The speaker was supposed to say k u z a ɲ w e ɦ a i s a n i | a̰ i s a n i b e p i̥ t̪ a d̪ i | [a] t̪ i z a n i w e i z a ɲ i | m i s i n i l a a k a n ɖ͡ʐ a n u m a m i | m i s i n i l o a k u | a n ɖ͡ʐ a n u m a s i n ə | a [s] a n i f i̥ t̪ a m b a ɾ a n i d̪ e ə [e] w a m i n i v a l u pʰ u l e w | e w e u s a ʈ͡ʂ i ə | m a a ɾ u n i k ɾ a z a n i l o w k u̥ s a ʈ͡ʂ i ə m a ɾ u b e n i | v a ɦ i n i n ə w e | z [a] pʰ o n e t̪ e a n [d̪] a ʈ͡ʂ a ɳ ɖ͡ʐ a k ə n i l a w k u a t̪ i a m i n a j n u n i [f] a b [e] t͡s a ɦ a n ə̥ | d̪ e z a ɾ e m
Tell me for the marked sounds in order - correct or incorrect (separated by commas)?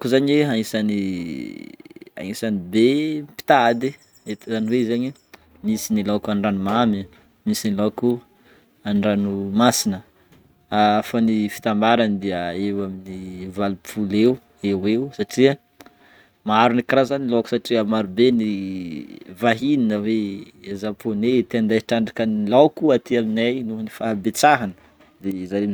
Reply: incorrect, incorrect, correct, correct, correct, correct, correct